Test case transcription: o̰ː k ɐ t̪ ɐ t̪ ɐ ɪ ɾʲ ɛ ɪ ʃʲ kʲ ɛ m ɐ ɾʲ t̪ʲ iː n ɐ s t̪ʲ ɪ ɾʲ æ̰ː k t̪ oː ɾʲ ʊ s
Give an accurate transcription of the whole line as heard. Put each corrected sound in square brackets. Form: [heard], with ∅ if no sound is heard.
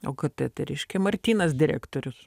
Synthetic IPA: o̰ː k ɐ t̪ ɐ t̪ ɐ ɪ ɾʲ ɛ ɪ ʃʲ kʲ ɛ m ɐ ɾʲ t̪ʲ iː n ɐ s [d̪ʲ] ɪ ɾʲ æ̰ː k t̪ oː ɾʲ ʊ s

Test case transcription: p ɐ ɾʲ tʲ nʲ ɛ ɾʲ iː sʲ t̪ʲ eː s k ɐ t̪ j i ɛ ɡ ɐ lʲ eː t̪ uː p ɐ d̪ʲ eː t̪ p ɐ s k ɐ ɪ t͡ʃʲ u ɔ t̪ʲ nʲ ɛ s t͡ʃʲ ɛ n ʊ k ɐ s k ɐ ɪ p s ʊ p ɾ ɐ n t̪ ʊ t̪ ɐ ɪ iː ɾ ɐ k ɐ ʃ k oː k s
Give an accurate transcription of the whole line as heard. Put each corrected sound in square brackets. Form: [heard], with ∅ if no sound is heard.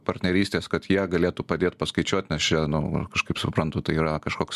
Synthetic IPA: p ɐ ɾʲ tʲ nʲ ɛ ɾʲ iː sʲ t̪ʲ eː s k ɐ t̪ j i ɛ ɡ ɐ lʲ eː t̪ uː p ɐ d̪ʲ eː t̪ p ɐ s k ɐ ɪ t͡ʃʲ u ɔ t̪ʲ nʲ ɛ s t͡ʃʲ ɛ n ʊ k ɐ [ʃ] k ɐ ɪ p s ʊ p ɾ ɐ n t̪ ʊ t̪ ɐ ɪ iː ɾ ɐ k ɐ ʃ k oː k s

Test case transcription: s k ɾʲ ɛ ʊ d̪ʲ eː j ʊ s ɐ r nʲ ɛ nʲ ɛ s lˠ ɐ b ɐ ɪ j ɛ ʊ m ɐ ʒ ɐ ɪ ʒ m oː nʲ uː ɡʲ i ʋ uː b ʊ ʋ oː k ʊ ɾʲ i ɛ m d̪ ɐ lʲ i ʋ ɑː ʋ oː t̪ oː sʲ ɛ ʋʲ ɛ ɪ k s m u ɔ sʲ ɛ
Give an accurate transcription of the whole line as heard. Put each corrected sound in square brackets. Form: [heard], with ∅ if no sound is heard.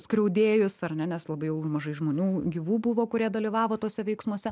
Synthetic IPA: s k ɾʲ ɛ ʊ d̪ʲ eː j ʊ s ɐ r nʲ ɛ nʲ ɛ s lˠ ɐ b ɐ ɪ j ɛ ʊ m ɐ ʒ ɐ ɪ ʒ m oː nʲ uː ɡʲ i ʋ uː b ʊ ʋ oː k ʊ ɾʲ i ɛ [∅] d̪ ɐ lʲ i ʋ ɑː ʋ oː t̪ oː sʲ ɛ ʋʲ ɛ ɪ k s m u ɔ sʲ ɛ

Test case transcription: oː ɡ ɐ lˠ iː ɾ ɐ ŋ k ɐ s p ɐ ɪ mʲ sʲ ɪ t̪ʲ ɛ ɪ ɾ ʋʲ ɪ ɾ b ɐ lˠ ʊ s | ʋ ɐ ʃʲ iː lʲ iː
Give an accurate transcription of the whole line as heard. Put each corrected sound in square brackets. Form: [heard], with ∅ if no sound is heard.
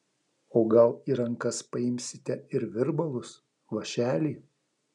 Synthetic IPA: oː ɡ ɐ lˠ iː ɾ ɐ ŋ k ɐ s p ɐ ɪ mʲ sʲ ɪ t̪ʲ ɛ ɪ ɾ ʋʲ ɪ ɾ b ɐ lˠ ʊ s | ʋ ɐ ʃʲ [æː] lʲ iː

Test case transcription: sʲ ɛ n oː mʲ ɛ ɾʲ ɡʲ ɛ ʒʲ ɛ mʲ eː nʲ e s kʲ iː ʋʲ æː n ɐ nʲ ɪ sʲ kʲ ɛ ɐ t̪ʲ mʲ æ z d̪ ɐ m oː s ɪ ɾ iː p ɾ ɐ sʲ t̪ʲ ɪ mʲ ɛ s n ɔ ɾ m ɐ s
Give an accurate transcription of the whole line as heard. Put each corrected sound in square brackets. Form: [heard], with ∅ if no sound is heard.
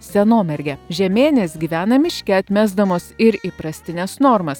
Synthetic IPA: sʲ ɛ n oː mʲ ɛ ɾʲ ɡʲ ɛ ʒʲ ɛ mʲ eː nʲ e s [ɡʲ] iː ʋʲ æː n ɐ [mʲ] ɪ [ʃʲ] kʲ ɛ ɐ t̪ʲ mʲ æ z d̪ ɐ m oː s ɪ ɾ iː p ɾ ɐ sʲ t̪ʲ ɪ [nʲ] ɛ s n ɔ ɾ m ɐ s

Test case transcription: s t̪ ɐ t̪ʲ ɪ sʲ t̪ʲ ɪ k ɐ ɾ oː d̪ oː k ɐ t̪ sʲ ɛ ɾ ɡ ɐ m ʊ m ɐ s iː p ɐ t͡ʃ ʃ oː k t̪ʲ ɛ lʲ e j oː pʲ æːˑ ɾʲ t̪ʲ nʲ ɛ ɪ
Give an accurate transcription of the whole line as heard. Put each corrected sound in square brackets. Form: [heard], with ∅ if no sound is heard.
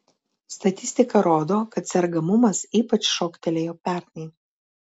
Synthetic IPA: s t̪ ɐ t̪ʲ ɪ sʲ t̪ʲ ɪ k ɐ ɾ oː d̪ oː k ɐ t̪ sʲ ɛ ɾ ɡ ɐ m ʊ m ɐ s iː p ɐ t͡ʃ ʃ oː k t̪ʲ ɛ lʲ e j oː pʲ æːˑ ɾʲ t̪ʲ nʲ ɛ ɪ

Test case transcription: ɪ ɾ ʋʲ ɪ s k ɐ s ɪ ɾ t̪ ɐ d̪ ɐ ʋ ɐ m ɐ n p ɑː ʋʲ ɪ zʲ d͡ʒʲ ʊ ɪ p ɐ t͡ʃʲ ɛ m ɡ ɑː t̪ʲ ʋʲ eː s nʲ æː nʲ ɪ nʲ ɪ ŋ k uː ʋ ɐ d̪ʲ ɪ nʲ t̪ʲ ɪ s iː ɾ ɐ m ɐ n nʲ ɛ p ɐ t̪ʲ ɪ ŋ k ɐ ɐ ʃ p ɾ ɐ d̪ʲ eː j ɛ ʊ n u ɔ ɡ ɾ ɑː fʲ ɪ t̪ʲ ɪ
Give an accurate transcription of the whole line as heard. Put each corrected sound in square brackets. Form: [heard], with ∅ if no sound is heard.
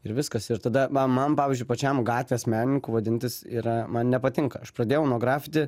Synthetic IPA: ɪ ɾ ʋʲ ɪ s k ɐ s ɪ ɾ t̪ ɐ d̪ ɐ ʋ ɐ m ɐ n p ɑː ʋʲ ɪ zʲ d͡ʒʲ ʊ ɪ p ɐ t͡ʃʲ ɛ m ɡ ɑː t̪ʲ ʋʲ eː s [mʲ] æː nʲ ɪ nʲ ɪ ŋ k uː ʋ ɐ d̪ʲ ɪ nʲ t̪ʲ ɪ s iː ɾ ɐ m ɐ n nʲ ɛ p ɐ t̪ʲ ɪ ŋ k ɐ ɐ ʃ p ɾ ɐ d̪ʲ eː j ɛ ʊ n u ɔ ɡ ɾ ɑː fʲ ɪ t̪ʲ ɪ

